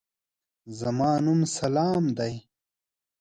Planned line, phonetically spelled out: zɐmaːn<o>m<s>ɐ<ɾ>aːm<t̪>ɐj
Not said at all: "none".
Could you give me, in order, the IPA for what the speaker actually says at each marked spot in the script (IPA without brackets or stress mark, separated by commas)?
u, s, l, d̪